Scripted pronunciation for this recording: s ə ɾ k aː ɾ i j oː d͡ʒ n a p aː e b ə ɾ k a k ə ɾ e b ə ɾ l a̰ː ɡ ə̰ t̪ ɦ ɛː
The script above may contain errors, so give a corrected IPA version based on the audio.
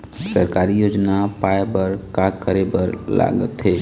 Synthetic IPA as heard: s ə ɾ k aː ɾ i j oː d͡ʒ n a p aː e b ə ɾ k a k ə ɾ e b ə ɾ l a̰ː ɡ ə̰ t̪ ɦ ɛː

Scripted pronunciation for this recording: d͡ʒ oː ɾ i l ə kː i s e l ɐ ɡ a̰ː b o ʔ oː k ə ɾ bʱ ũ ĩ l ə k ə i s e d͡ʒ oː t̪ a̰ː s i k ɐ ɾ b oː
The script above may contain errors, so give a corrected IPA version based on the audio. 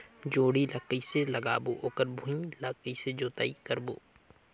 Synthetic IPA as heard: d͡ʒ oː ɽ i l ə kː i s e l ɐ ɡ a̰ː b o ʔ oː k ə ɾ bʱ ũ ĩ l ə k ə i s e d͡ʒ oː t̪ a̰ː i k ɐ ɾ b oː

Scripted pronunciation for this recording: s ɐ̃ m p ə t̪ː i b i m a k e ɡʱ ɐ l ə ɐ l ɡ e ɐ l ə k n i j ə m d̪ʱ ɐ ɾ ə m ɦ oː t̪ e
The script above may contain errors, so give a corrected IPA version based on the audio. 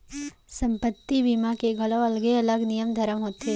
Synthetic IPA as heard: s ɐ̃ m p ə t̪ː i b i m a k e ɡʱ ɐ l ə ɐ l ɡ e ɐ l ə ɡ n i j ə m d̪ʱ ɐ ɾ ə m ɦ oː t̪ e

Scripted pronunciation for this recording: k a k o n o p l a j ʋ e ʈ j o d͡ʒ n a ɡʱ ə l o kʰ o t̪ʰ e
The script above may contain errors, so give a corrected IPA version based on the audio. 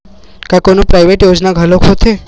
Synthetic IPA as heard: k a k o n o p ɾ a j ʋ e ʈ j o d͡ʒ n a ɡʱ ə l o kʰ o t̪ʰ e

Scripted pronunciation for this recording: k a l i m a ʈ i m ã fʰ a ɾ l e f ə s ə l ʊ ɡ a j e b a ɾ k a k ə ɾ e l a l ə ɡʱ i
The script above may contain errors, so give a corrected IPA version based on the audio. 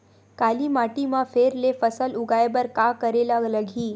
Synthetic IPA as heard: k a l i m a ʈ i m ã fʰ e ɾ l e f ə s ə l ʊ ɡ a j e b ə ɾ k a k ə ɾ e l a l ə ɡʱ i

